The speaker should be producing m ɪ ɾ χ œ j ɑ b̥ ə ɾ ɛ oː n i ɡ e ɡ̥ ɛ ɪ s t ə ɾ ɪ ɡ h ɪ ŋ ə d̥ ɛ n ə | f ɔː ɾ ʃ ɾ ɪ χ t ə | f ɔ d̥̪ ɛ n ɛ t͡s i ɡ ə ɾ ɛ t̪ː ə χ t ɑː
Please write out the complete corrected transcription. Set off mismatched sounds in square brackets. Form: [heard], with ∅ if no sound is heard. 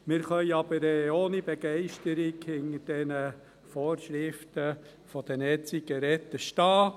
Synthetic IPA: m ɪ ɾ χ œ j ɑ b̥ ə ɾ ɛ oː n i [b] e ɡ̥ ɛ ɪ [ʃ] t ə ɾ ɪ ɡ h ɪ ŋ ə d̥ ɛ n ə | f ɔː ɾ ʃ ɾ ɪ [f] t ə | f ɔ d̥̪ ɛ n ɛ t͡s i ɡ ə ɾ ɛ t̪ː ə [ʃ] t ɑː